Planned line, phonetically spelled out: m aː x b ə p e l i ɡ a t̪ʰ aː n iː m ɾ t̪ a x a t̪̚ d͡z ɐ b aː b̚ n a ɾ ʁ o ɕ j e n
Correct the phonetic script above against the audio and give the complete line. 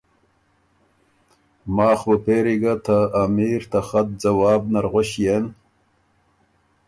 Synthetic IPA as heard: m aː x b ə p e ɾ i ɡ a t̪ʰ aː m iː ɾ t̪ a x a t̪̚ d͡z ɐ w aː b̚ n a ɾ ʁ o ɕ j e n